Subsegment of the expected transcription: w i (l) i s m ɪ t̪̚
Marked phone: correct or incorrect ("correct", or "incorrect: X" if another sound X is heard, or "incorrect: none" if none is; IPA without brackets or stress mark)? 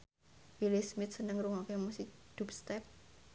correct